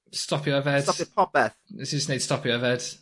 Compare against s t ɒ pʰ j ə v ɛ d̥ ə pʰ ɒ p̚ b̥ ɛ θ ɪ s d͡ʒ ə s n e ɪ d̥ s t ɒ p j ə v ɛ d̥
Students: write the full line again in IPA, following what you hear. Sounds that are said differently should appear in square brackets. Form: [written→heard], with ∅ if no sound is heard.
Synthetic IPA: s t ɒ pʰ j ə v ɛ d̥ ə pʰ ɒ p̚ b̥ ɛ θ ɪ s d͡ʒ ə s n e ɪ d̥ s t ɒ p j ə v ɛ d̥